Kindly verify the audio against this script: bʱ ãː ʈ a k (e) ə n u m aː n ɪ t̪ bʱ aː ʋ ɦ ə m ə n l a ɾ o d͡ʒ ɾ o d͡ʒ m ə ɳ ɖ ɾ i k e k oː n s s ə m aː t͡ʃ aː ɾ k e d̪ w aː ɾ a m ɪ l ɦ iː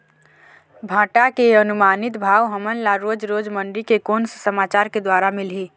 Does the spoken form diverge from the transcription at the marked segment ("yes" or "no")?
no